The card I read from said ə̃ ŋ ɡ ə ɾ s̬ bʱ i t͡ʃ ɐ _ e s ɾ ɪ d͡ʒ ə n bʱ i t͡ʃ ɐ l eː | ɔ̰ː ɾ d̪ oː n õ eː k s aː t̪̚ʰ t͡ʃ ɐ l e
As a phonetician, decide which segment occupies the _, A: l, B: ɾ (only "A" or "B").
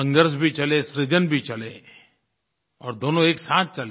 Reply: A